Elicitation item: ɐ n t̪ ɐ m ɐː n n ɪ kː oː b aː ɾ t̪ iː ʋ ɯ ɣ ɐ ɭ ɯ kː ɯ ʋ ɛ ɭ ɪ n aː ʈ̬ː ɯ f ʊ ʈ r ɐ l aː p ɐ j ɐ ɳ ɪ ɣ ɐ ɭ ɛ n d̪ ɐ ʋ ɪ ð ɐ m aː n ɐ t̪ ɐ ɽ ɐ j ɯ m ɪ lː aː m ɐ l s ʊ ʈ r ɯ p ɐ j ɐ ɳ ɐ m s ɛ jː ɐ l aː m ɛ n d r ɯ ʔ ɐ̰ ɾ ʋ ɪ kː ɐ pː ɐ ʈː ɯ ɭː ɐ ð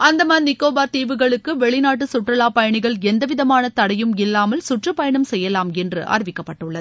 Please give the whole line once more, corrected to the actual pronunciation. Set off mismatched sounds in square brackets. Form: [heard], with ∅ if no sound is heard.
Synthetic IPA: ɐ n [d̪] ɐ m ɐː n n ɪ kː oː b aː ɾ t̪ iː ʋ ɯ ɣ ɐ ɭ ɯ kː ɯ ʋ ɛ ɭ ɪ n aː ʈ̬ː ɯ [s] ʊ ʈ r ɐ l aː p ɐ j ɐ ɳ ɪ ɣ ɐ ɭ ɛ n d̪ ɐ ʋ ɪ ð ɐ m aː n ɐ t̪ ɐ ɽ ɐ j ɯ m ɪ lː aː m ɐ l s ʊ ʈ r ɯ p ɐ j ɐ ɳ ɐ m s ɛ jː ɐ l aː m ɛ n d r ɯ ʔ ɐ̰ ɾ ʋ ɪ kː ɐ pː ɐ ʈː ɯ ɭː ɐ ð

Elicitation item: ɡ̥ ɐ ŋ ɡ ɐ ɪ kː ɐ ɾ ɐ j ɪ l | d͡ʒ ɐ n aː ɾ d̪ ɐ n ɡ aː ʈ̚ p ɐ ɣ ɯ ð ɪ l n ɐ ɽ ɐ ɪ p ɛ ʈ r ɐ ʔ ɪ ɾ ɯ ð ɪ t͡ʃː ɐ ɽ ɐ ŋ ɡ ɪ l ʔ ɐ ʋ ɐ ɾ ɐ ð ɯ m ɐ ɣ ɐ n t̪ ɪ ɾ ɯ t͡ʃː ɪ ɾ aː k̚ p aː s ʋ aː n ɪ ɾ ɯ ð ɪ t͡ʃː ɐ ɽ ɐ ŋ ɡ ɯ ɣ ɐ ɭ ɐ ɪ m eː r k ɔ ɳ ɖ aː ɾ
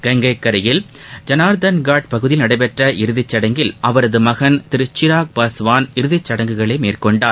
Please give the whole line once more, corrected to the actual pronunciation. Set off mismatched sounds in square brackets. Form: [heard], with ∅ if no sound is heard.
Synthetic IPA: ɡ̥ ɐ ŋ ɡ ɐ ɪ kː ɐ ɾ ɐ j ɪ l | d͡ʒ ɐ n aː ɾ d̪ ɐ n ɡ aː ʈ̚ p ɐ ɣ ɯ ð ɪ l n ɐ ɽ ɐ ɪ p ɛ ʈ r ɐ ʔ ɪ ɾ ɯ ð ɪ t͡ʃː ɐ ɽ ɐ ŋ ɡ ɪ l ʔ ɐ ʋ ɐ ɾ ɐ ð ɯ m ɐ ɣ ɐ n t̪ ɪ ɾ ɯ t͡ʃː ɪ ɾ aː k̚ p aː s ʋ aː n ɪ ɾ ɯ ð ɪ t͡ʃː ɐ ɽ ɐ ŋ ɡ ɯ ɣ ɐ ɭ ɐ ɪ m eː r k ɔ ɳ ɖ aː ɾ

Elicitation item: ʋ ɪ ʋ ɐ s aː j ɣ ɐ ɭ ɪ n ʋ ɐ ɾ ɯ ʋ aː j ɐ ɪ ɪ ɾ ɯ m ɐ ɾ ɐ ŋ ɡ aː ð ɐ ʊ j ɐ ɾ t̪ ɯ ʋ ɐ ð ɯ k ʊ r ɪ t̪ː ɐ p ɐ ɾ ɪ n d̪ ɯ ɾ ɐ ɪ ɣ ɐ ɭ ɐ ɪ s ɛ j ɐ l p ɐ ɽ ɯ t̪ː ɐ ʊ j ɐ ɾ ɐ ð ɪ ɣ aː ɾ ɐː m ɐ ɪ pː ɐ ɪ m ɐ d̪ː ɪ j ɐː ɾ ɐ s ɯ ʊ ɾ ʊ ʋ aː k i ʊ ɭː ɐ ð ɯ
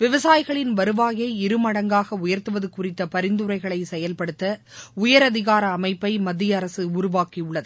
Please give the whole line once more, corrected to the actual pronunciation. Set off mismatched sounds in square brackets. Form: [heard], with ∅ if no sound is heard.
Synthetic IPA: ʋ ɪ ʋ ɐ s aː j ɣ ɐ ɭ ɪ n ʋ ɐ ɾ ɯ ʋ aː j ɐ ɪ ɪ ɾ ɯ m ɐ [ɽ] ɐ ŋ ɡ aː [ɣ] ɐ ʊ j ɐ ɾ t̪ ɯ ʋ ɐ ð ɯ k ʊ r ɪ t̪ː ɐ p ɐ ɾ ɪ n d̪ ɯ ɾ ɐ ɪ ɣ ɐ ɭ ɐ ɪ s ɛ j ɐ l p ɐ ɽ ɯ t̪ː ɐ ʊ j ɐ ɾ ɐ ð ɪ ɣ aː ɾ ɐː m ɐ ɪ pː ɐ ɪ m ɐ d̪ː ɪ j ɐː ɾ ɐ s ɯ ʊ ɾ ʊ ʋ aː k i ʊ ɭː ɐ ð ɯ

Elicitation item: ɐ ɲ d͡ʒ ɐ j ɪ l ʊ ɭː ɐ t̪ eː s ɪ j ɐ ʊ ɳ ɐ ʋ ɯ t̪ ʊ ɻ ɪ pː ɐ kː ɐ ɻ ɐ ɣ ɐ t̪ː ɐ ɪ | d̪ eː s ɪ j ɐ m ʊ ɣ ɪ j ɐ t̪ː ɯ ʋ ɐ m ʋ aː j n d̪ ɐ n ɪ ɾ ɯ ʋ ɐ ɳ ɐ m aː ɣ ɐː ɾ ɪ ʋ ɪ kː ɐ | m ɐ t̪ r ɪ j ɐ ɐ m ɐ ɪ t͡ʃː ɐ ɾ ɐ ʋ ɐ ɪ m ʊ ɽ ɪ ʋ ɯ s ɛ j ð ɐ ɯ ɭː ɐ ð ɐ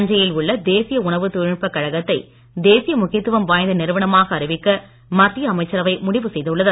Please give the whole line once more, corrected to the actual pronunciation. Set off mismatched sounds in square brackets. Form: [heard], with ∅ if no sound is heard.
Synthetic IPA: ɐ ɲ d͡ʒ ɐ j ɪ l ʊ ɭː ɐ [d̪] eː s ɪ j ɐ ʊ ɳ ɐ ʋ ɯ t̪ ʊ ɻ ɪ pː ɐ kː ɐ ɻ ɐ ɣ ɐ t̪ː ɐ ɪ | d̪ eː s ɪ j ɐ m ʊ ɣ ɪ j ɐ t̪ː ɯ ʋ ɐ m ʋ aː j n d̪ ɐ n ɪ ɾ ɯ ʋ ɐ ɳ ɐ m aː ɣ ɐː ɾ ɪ ʋ ɪ kː ɐ | m ɐ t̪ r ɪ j ɐ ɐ m ɐ ɪ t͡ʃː ɐ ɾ ɐ ʋ ɐ ɪ m ʊ ɽ ɪ ʋ ɯ s ɛ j ð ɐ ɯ ɭː ɐ ð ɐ

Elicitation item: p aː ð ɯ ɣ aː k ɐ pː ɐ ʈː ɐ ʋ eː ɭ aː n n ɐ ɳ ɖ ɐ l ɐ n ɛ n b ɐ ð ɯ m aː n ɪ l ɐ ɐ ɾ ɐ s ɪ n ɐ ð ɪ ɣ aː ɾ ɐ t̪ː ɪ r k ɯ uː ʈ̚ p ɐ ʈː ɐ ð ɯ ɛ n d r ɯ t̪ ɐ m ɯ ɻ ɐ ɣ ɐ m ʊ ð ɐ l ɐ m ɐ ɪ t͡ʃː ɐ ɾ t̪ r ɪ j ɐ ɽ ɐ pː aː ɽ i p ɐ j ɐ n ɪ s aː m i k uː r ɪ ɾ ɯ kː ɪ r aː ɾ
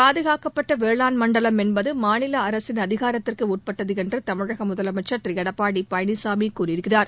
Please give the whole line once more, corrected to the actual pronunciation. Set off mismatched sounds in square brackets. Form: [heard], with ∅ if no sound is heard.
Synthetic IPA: p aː ð ɯ ɣ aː k ɐ pː ɐ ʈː ɐ ʋ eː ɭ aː n [m] ɐ ɳ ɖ ɐ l ɐ [m] ɛ n b ɐ ð ɯ m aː n ɪ l ɐ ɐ ɾ ɐ s ɪ n ɐ ð ɪ ɣ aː ɾ ɐ t̪ː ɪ r k ɯ uː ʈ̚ p ɐ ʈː ɐ ð ɯ ɛ n d r ɯ t̪ ɐ m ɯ ɻ ɐ ɣ ɐ m ʊ ð ɐ l ɐ m ɐ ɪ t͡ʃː ɐ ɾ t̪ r ɪ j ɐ ɽ ɐ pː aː ɽ i p ɐ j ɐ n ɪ s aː m i k uː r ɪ ɾ ɯ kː ɪ r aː ɾ

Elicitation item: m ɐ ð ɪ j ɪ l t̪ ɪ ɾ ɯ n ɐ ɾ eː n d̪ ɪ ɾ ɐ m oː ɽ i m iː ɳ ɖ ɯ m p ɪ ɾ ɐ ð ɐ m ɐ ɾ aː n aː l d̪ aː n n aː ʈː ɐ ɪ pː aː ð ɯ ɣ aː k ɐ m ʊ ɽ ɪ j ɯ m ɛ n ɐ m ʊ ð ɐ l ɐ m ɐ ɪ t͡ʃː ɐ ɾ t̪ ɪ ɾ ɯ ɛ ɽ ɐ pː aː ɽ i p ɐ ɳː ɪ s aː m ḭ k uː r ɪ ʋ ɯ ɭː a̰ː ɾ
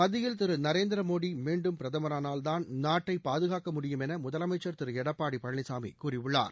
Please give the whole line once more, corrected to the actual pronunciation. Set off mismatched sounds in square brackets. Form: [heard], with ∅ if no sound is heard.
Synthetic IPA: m ɐ ð ɪ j ɪ l t̪ ɪ ɾ ɯ n ɐ ɾ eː n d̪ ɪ ɾ ɐ m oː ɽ i m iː ɳ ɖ ɯ m p ɪ ɾ ɐ ð ɐ m ɐ ɾ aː n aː l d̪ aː n n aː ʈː ɐ ɪ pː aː ð ɯ ɣ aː k ɐ m ʊ ɽ ɪ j ɯ m ɛ n ɐ m ʊ ð ɐ l ɐ m ɐ ɪ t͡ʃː ɐ ɾ t̪ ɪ ɾ ɯ ɛ ɽ ɐ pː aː ɽ i p ɐ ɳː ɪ s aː m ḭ k uː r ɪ ʋ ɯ ɭː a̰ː ɾ

